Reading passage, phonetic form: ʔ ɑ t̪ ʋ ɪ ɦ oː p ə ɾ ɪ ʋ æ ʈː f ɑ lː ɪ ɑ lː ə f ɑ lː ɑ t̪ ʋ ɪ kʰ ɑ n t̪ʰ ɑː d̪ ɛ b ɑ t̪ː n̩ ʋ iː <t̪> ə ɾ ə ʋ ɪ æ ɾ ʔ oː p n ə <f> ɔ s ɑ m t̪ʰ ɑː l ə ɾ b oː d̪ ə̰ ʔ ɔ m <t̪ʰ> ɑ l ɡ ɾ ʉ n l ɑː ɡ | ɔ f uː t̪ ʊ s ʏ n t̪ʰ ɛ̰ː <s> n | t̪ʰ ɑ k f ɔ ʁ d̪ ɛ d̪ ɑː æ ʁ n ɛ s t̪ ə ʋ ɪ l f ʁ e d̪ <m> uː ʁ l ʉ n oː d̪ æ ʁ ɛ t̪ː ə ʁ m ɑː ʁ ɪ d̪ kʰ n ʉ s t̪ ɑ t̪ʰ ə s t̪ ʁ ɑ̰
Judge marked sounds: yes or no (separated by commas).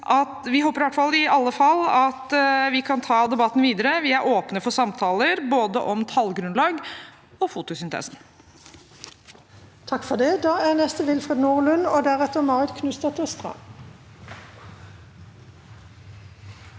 no, yes, yes, yes, no